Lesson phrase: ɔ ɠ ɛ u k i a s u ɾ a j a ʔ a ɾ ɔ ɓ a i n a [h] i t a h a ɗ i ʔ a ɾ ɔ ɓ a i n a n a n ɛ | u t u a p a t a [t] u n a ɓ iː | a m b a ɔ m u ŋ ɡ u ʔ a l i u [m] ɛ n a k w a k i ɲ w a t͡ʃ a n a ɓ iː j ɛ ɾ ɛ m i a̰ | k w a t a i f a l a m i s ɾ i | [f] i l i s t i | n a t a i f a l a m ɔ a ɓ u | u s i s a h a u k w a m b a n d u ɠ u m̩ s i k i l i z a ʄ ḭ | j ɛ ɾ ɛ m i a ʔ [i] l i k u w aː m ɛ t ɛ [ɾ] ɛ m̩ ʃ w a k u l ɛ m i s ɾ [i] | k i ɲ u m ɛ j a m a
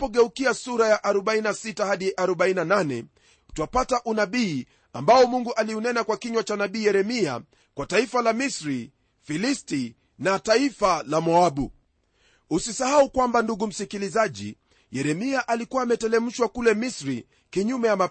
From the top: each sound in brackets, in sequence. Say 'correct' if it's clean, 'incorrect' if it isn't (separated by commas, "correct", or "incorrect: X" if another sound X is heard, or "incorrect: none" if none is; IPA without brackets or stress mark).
incorrect: s, incorrect: ʔ, incorrect: n, correct, incorrect: a, incorrect: l, correct